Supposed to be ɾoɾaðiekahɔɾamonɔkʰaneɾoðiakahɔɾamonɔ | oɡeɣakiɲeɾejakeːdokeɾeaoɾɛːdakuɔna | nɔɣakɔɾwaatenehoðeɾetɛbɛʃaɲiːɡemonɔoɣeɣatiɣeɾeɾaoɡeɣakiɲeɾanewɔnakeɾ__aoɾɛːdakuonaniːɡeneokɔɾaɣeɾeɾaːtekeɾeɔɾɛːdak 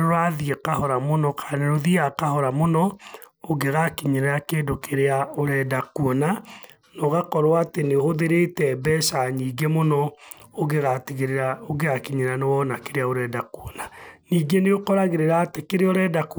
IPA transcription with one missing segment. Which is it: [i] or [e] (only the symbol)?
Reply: e